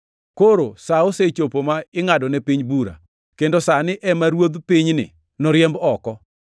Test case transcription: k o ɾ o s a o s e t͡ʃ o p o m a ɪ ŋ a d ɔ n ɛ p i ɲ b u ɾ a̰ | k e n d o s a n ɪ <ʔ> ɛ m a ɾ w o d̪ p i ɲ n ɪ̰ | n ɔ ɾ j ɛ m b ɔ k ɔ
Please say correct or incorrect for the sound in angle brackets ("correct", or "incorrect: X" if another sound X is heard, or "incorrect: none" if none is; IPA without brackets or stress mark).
correct